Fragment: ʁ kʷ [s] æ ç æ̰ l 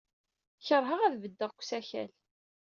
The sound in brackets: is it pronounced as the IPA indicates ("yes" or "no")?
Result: yes